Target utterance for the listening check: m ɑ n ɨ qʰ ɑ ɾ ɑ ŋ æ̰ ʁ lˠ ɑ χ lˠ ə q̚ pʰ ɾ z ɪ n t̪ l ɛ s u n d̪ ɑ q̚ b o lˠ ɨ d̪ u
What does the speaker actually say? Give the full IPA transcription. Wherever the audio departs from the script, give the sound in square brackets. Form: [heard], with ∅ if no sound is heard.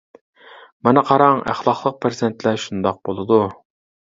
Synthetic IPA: m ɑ n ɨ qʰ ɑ ɾ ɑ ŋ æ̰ [χ] lˠ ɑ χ lˠ ə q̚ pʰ ɾ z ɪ n t̪ l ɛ [ʃ] u n d̪ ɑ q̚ b o lˠ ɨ d̪ u